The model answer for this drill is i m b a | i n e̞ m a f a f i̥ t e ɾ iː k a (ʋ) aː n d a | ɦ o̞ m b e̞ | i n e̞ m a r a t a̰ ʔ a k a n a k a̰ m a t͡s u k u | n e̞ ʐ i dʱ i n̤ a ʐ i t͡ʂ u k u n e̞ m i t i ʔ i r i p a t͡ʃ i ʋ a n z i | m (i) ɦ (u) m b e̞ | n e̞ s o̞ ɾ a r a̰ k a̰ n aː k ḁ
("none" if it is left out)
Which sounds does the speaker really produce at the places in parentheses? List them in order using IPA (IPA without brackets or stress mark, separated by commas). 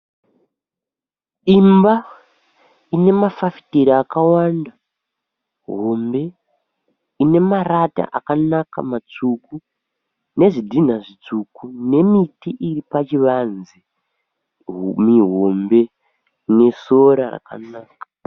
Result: w, i, o